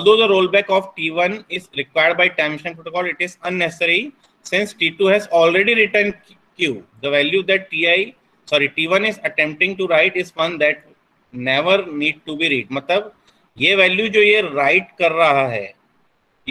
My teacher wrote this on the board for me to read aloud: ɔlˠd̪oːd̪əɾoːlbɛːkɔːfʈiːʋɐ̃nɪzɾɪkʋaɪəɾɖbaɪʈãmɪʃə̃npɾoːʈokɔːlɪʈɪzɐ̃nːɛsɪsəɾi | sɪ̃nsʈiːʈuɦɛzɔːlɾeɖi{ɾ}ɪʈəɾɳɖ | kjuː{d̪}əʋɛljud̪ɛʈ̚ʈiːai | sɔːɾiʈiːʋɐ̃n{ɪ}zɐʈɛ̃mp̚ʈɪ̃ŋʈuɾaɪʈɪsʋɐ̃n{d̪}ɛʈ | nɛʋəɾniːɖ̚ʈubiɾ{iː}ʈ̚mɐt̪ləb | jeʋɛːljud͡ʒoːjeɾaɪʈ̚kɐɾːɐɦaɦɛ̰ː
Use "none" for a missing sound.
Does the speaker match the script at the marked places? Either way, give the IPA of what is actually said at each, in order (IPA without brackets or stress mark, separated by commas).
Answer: ɾ, d̪, ɪ, d̪, iː